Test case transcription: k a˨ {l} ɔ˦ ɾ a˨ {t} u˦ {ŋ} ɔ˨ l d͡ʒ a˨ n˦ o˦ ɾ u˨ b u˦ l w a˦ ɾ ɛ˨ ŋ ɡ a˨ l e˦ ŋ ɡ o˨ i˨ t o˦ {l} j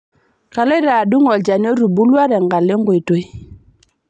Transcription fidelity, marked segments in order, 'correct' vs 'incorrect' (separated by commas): correct, incorrect, correct, incorrect